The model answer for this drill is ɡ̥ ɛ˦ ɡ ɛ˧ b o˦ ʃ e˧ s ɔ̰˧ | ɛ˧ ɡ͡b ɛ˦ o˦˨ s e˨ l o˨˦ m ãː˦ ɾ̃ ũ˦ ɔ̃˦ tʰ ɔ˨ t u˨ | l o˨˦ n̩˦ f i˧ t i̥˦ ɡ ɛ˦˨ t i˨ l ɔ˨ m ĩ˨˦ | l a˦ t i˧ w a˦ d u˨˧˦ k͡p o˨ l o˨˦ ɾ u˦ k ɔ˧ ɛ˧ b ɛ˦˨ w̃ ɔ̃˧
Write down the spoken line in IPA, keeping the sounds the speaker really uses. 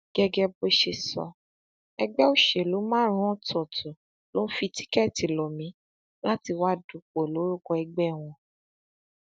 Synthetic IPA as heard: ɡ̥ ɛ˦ ɡ ɛ˧ b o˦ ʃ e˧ s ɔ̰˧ | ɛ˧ ɡ͡b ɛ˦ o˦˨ ʃ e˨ l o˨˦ m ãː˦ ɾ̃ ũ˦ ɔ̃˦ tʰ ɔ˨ t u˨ | l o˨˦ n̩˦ f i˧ t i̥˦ k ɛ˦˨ t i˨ l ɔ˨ m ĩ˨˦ | l a˦ t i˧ w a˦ d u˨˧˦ k͡p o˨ l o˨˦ ɾ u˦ k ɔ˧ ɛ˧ ɡ͡b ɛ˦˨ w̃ ɔ̃˧